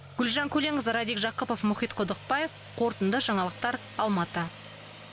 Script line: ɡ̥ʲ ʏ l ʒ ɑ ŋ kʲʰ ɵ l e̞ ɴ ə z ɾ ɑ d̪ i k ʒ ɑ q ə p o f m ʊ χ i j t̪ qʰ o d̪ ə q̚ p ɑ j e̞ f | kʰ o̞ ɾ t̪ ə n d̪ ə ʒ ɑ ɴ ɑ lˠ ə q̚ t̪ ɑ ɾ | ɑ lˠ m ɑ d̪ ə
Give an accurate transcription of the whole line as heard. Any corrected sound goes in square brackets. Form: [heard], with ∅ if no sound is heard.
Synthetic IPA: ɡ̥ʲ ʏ l ʒ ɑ ŋ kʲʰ ɵ l e̞ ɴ ə z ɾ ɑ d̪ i k ʒ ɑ q ə p o f m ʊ χ i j t̪ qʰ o d̪ ə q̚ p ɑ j e̞ f | [qʰ] o̞ ɾ t̪ ə n d̪ ə ʒ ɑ ɴ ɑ lˠ ə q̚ t̪ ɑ ɾ | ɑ lˠ m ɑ [t̪] ə